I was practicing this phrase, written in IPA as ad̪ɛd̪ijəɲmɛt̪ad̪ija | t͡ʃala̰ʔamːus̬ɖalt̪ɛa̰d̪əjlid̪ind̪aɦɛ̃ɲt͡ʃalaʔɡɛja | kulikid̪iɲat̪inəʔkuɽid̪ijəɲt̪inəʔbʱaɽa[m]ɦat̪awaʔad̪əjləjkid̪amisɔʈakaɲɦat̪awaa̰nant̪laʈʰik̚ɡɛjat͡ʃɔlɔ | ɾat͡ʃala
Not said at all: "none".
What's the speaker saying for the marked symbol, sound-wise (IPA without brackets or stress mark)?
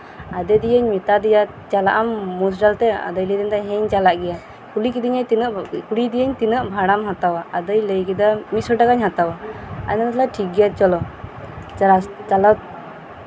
m